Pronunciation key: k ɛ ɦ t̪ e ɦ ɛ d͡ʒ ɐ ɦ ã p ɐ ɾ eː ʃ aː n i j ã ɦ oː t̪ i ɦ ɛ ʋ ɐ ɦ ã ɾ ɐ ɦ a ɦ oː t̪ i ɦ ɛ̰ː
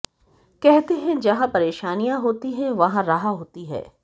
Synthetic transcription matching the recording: k ɛ ɦ t̪ e ɦ ɛ̃ d͡ʒ ɐ ɦ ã p ɐ ɾ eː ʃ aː n i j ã ɦ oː t̪ i ɦ ɛ̃ ʋ ɐ ɦ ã ɾ ɐ ɦ a ɦ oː t̪ i ɦ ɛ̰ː